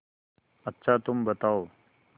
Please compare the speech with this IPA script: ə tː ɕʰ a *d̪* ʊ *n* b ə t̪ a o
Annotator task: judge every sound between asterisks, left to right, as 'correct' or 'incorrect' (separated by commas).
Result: incorrect, incorrect